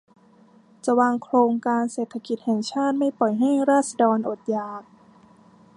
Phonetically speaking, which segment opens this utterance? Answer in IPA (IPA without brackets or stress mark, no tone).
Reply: t͡ɕ